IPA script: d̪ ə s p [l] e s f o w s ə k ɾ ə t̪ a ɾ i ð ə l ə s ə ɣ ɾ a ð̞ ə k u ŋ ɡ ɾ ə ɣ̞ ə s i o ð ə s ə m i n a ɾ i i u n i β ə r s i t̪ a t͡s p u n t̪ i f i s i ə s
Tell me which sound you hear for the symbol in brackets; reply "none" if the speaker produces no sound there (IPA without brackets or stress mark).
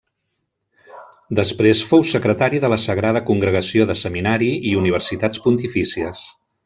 ɾ